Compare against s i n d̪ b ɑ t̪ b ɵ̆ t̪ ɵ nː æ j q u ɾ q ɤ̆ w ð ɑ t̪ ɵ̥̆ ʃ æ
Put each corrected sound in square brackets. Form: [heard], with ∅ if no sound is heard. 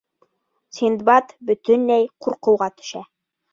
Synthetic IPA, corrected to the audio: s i n d̪ b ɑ t̪ b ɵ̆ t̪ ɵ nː æ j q u ɾ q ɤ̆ w [ʁ] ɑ t̪ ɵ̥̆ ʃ æ